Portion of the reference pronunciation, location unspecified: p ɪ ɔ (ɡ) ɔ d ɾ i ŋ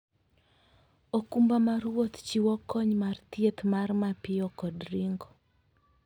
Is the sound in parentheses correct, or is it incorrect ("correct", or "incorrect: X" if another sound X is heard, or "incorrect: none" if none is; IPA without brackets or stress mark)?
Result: incorrect: k